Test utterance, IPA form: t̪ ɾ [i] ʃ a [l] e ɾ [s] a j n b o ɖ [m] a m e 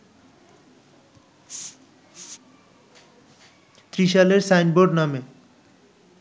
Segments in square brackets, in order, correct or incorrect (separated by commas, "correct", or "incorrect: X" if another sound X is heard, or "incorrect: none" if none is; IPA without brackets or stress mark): correct, correct, correct, incorrect: n